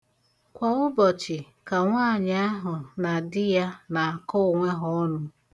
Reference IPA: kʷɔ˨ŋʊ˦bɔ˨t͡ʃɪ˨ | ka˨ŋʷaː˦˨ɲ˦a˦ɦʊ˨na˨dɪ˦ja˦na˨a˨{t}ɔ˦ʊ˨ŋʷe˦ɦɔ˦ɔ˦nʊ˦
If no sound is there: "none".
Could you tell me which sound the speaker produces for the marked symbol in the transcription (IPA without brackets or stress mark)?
k